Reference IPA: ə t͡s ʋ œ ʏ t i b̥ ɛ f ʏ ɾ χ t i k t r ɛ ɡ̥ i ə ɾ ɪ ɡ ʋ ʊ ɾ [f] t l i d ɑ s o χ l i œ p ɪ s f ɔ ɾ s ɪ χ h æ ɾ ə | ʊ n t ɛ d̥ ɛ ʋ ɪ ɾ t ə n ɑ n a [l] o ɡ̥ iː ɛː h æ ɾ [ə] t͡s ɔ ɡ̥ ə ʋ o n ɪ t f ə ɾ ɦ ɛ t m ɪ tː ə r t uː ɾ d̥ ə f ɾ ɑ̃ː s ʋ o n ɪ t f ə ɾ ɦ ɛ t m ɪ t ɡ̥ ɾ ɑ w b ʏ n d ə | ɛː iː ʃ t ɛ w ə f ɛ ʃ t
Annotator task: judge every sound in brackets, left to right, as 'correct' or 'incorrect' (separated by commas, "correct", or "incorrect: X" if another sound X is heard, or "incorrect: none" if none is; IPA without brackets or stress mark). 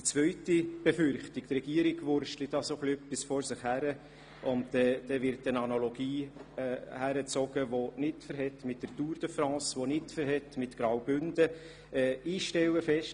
incorrect: ʃ, correct, correct